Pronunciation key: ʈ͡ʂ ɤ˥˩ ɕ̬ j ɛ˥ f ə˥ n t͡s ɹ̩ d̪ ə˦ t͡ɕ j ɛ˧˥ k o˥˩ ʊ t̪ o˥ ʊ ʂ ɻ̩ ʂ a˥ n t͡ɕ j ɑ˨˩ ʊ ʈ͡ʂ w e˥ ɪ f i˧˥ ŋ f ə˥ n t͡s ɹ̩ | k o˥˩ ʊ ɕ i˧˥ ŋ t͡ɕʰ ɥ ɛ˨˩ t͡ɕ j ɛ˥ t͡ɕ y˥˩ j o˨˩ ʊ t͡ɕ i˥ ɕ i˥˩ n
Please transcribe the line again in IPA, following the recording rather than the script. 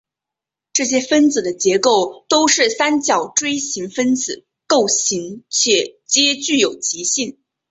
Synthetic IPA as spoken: ʈ͡ʂ ɤ˥˩ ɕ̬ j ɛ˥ f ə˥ n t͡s ɹ̩ d̪ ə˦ t͡ɕ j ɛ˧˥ k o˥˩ ʊ t̪ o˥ ʊ ʂ ɻ̩ s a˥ n t͡ɕ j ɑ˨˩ ʊ ʈ͡ʂ w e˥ ɪ ɕ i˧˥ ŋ f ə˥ n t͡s ɹ̩ | k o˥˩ ʊ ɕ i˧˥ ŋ t͡ɕʰ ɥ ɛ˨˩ t͡ɕ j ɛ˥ t͡ɕ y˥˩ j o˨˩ ʊ t͡ɕ i˧˥ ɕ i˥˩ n

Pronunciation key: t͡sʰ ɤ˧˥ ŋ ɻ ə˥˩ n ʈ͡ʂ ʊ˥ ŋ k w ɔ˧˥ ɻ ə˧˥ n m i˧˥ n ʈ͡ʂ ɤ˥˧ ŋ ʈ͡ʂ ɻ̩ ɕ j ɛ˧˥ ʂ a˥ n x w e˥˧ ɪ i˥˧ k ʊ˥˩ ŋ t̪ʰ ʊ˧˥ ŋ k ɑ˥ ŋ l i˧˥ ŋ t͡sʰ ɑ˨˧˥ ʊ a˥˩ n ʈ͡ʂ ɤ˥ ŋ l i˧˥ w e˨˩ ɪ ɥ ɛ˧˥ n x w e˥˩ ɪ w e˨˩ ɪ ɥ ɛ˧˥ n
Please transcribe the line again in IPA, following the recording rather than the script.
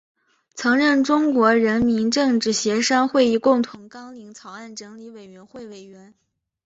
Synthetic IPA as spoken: t͡sʰ ɤ˧˥ ŋ ɻ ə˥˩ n ʈ͡ʂ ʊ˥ ŋ k w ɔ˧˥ ɻ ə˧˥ n m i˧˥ n ʈ͡ʂ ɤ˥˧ ŋ ʈ͡ʂ ɻ̩ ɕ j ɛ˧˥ ʂ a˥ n x w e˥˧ ɪ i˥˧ k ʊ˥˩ ŋ t̪ʰ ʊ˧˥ ŋ k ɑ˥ ŋ l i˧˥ ŋ t͡sʰ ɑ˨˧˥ ʊ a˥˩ n ʈ͡ʂ ɤ˧˥ ŋ l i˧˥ w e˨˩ ɪ ɥ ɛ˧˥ n x w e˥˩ ɪ w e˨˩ ɪ ɥ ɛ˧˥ n

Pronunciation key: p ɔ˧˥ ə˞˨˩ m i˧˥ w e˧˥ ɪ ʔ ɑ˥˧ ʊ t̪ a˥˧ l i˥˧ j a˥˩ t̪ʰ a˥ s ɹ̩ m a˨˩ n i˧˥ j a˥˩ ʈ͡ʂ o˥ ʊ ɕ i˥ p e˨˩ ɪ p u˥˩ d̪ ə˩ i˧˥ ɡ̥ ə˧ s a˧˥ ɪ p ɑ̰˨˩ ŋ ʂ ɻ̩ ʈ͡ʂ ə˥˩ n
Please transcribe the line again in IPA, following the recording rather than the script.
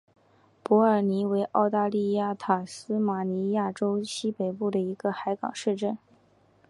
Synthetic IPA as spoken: p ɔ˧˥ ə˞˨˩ n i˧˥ w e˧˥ ɪ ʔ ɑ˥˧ ʊ t̪ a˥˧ l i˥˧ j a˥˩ t̪ʰ a˨˩ s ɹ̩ m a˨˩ n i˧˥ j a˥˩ ʈ͡ʂ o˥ ʊ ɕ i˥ p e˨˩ ɪ p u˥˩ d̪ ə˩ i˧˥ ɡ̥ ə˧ x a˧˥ ɪ k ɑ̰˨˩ ŋ ʂ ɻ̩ ʈ͡ʂ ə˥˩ n

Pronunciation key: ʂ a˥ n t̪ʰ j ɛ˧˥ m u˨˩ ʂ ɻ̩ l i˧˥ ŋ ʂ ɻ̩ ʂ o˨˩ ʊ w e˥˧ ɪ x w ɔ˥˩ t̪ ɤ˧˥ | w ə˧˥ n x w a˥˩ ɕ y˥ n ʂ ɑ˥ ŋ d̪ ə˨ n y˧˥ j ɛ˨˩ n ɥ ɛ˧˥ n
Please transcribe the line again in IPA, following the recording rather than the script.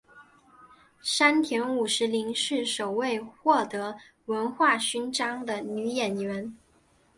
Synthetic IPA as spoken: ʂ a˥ n t̪ʰ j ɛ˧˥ n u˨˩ ʂ ɻ̩ l i˧˥ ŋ ʂ ɻ̩ ʂ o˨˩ ʊ w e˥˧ ɪ x w ɔ˥˩ t̪ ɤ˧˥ | w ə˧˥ n x w a˥˩ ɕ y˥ n ʈ͡ʂ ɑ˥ ŋ d̪ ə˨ n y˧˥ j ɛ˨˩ n ɥ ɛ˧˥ n

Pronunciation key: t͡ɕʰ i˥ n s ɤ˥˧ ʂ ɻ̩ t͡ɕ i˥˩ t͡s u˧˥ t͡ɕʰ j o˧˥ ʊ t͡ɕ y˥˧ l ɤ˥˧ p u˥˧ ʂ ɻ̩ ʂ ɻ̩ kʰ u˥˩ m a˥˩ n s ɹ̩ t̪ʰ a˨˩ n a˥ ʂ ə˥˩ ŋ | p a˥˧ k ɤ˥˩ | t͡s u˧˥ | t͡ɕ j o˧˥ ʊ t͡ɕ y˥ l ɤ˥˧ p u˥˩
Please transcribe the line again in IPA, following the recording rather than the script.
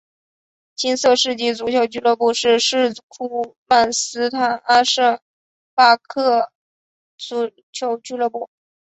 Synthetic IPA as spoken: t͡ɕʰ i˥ n s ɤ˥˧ ʂ ɻ̩ t͡ɕ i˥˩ t͡s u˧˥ t͡ɕʰ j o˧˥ ʊ t͡ɕ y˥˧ l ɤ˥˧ p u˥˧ ʂ ɻ̩ ʂ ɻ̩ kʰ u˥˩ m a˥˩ n s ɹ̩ t̪ʰ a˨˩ n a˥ ʂ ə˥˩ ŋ | p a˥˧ kʰ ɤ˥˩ | t͡s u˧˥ | t͡ɕʰ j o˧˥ ʊ t͡ɕ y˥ l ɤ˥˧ p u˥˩

